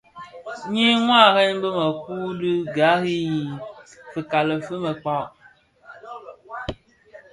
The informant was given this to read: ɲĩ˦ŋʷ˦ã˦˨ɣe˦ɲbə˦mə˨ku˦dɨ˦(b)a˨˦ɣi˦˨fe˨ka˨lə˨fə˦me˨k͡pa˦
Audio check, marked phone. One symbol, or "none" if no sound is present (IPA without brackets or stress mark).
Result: ɡ